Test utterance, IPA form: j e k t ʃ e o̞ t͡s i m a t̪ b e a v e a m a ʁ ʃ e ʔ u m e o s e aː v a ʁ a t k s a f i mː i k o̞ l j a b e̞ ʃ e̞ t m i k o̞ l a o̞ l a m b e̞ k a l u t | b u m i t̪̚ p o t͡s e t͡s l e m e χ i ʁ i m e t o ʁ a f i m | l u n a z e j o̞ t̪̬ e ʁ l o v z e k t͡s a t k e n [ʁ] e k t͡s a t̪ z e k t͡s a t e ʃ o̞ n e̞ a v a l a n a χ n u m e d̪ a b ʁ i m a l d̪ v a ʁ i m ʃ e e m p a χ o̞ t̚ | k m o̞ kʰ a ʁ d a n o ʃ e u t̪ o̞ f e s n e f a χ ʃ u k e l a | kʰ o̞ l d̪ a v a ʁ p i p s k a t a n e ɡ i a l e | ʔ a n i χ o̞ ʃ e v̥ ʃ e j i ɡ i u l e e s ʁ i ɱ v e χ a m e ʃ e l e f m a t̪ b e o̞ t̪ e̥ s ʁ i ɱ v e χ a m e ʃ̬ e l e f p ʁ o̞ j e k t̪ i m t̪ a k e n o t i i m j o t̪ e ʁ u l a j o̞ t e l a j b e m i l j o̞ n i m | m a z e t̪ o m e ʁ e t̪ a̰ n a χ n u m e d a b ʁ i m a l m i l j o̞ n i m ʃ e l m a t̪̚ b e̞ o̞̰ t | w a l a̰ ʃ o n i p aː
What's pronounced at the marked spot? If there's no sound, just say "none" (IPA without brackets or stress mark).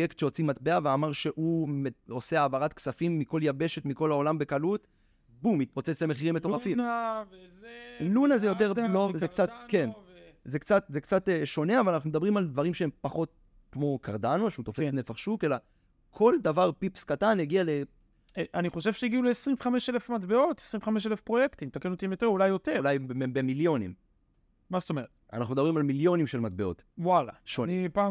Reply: z